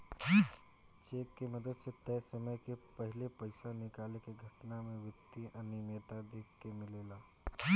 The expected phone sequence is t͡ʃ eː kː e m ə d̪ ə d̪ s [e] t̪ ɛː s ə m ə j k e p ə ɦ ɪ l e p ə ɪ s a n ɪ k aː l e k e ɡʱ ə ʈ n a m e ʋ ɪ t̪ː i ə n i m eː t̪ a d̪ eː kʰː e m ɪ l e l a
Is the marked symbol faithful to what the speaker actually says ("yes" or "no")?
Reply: yes